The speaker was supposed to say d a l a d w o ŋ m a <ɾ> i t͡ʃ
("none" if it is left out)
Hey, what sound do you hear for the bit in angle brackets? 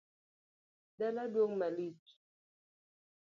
l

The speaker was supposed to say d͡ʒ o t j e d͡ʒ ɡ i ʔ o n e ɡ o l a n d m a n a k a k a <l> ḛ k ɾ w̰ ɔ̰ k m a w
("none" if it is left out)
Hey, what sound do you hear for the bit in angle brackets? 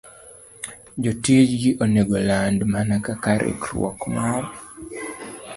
ɾ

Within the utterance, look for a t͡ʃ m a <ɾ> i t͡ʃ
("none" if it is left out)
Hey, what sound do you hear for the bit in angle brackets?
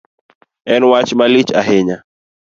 l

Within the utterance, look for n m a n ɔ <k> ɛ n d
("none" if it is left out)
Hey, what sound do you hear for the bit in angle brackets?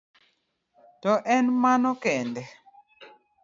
k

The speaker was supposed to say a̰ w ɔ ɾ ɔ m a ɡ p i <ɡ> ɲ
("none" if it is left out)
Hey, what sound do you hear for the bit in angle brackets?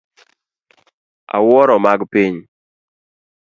none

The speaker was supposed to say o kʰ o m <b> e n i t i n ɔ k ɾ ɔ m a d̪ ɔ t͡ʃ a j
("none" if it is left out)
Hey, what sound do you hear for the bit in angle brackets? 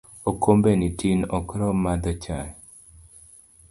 b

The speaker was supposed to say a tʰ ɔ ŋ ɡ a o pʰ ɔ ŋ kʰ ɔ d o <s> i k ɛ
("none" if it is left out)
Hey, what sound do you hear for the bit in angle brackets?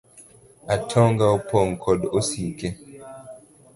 s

